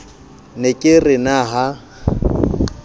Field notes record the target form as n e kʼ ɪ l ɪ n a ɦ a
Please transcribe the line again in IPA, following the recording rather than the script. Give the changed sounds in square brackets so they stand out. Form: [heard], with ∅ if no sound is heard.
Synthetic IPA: n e kʼ ɪ [r] ɪ n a ɦ a